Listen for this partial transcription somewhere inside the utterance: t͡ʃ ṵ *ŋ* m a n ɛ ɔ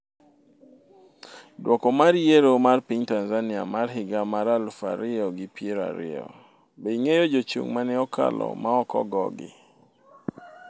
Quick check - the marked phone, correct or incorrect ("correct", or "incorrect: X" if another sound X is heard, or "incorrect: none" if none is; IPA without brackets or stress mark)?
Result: correct